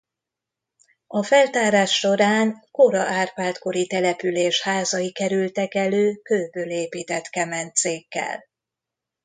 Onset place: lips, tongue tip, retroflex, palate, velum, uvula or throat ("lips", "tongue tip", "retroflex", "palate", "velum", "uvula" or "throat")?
lips